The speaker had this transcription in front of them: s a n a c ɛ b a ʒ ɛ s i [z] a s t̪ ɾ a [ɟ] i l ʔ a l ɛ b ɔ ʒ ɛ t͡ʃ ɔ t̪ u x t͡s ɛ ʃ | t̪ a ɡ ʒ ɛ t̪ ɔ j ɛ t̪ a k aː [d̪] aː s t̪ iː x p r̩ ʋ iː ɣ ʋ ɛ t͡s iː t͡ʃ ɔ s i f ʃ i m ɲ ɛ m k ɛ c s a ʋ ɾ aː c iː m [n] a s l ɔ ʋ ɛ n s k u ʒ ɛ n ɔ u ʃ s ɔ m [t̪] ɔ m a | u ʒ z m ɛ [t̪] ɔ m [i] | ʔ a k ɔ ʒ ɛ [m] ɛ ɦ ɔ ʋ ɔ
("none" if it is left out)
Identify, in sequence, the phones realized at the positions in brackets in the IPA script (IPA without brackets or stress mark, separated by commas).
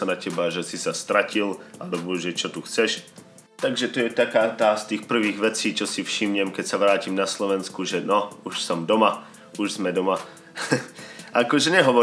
s, c, t̪, n, d̪, d̪, a, ɲ